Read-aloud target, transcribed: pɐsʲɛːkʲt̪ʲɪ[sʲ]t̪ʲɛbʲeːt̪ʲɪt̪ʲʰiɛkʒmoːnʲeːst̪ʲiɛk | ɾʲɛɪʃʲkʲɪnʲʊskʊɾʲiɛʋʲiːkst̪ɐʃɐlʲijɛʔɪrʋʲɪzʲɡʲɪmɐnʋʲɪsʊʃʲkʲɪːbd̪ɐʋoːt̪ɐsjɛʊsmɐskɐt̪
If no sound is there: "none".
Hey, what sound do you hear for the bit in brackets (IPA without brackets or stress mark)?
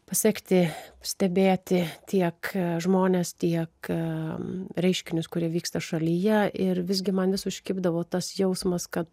sʲ